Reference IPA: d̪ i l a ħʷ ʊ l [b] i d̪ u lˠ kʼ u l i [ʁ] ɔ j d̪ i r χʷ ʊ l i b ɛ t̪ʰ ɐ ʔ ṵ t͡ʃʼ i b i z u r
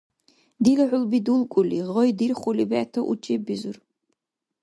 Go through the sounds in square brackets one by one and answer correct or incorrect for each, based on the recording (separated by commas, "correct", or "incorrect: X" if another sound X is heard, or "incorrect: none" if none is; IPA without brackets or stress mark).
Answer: correct, correct